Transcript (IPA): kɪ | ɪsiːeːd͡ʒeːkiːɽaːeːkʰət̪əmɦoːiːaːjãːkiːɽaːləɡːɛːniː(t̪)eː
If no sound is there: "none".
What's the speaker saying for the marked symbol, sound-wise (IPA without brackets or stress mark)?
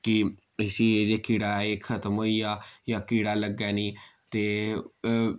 t̪